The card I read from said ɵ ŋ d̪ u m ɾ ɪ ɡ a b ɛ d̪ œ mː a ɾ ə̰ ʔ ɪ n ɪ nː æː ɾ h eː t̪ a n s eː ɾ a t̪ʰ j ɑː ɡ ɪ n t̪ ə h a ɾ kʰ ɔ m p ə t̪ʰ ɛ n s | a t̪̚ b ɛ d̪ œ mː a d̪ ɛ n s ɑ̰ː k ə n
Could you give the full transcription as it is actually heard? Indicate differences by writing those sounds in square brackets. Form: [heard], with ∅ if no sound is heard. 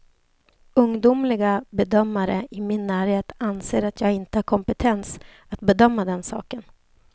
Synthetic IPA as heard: ɵ ŋ d̪ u m [l] ɪ ɡ a b ɛ d̪ œ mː a ɾ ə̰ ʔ ɪ [m] ɪ nː æː ɾ h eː t̪ a n s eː ɾ a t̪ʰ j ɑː ɡ ɪ n t̪ ə h a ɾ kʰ ɔ m p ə t̪ʰ ɛ n s | a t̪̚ b ɛ d̪ œ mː a d̪ ɛ n s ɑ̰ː k ə n